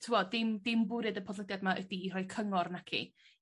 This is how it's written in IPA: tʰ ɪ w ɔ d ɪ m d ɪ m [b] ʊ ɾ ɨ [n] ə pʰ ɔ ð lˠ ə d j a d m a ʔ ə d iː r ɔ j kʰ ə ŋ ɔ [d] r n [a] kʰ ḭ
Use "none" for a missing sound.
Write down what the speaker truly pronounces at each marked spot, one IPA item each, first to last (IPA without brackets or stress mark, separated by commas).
b, d, none, a